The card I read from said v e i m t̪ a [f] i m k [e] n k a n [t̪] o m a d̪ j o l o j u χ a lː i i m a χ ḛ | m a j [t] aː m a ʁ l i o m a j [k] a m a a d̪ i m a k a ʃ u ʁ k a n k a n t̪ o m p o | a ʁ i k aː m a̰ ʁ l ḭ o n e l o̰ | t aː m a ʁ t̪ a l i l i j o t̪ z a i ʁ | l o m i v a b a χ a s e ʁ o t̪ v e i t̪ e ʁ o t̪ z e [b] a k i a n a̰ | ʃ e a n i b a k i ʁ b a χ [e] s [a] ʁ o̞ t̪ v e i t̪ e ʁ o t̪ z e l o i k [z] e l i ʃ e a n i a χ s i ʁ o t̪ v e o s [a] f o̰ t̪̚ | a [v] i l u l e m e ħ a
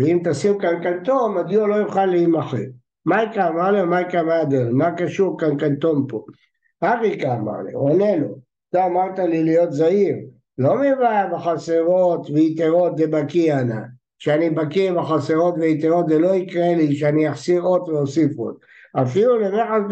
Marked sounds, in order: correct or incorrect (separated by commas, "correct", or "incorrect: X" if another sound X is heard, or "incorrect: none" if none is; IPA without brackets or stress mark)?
incorrect: s, incorrect: a, correct, incorrect: k, correct, correct, incorrect: a, incorrect: e, incorrect: ʁ, incorrect: i, incorrect: f